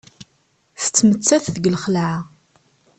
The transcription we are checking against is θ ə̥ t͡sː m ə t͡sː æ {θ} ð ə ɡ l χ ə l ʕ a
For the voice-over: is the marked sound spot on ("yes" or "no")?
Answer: yes